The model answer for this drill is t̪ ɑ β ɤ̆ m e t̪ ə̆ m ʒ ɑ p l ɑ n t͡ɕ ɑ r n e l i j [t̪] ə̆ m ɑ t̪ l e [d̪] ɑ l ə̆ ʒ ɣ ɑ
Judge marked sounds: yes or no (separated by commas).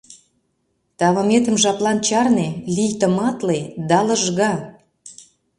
yes, yes